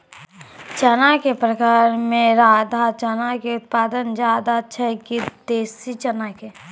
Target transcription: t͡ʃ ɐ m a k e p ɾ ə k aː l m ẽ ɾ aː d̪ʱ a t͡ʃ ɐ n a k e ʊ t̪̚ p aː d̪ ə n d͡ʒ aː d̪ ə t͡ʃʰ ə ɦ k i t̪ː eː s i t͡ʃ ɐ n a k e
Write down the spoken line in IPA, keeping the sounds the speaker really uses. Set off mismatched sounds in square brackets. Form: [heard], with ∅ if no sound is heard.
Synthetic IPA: t͡ʃ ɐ [n] a k e p ɾ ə k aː [ɾ] m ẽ ɾ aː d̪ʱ a t͡ʃ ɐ n a k e ʊ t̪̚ p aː d̪ ə n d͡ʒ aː d̪ [a] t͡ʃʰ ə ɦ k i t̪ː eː s i t͡ʃ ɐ n a k e